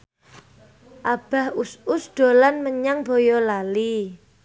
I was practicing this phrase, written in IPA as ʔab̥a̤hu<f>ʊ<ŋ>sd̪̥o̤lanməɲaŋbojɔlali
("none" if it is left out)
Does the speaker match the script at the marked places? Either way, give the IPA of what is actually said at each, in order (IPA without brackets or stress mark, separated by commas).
s, none